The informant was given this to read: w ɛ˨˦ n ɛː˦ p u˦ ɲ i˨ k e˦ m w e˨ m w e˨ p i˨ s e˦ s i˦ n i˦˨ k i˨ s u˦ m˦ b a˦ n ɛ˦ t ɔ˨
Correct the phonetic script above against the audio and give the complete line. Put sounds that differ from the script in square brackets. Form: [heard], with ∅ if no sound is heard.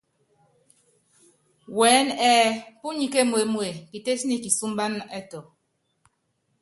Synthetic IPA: w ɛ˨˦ n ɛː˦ p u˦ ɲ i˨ k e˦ m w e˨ m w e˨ [k] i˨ [t] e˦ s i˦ n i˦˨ k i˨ s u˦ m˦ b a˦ n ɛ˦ t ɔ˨